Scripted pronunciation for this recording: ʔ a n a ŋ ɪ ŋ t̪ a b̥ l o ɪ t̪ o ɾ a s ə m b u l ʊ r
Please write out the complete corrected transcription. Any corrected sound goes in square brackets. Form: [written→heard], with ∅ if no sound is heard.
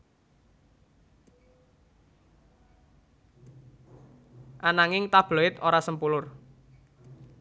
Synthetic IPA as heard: ʔ a n a ŋ ɪ ŋ t̪ a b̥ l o ɪ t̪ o ɾ a s ə m [b→p] u l ʊ r